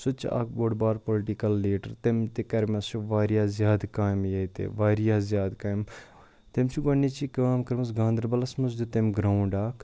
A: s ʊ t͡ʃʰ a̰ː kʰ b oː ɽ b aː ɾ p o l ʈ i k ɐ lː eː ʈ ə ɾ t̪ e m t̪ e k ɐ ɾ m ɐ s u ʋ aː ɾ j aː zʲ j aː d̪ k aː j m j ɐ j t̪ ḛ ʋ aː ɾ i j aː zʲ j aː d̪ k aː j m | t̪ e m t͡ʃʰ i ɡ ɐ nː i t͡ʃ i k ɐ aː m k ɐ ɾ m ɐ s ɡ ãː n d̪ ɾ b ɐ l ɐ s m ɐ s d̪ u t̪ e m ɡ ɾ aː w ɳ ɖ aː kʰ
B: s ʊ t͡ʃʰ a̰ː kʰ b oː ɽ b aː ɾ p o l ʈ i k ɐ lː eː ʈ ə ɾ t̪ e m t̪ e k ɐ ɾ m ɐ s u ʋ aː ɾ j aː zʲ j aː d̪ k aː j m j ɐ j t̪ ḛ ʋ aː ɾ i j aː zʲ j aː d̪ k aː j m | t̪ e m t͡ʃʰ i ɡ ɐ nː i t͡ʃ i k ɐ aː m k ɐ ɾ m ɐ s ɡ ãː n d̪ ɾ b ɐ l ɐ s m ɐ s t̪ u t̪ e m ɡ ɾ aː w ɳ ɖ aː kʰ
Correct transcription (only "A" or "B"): A